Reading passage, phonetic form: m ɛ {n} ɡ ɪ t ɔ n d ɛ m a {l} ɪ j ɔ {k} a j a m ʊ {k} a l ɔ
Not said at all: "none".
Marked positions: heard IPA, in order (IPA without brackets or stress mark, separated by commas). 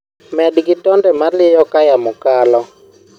d, l, k, k